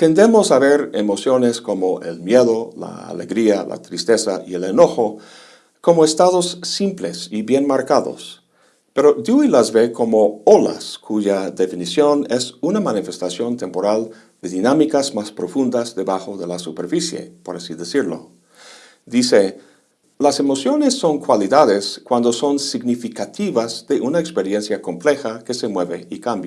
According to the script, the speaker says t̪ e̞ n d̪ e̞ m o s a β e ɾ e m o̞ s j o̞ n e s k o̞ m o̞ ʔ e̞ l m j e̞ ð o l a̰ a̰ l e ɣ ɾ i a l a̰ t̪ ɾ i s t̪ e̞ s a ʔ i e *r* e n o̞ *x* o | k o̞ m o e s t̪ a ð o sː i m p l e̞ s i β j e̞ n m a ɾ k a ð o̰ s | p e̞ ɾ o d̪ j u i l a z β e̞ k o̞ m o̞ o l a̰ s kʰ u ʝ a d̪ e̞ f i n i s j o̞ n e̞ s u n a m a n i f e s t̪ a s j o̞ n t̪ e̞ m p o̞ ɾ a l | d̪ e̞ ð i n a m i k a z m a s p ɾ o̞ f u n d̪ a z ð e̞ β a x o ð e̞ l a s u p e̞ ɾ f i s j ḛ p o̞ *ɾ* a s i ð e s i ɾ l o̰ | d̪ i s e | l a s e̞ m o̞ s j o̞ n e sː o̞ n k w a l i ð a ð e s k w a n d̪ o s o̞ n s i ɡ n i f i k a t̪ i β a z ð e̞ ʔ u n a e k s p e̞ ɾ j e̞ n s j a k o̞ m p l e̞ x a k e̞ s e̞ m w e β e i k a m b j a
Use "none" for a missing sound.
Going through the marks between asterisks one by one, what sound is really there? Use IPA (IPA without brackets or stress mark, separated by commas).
l, x, ɾ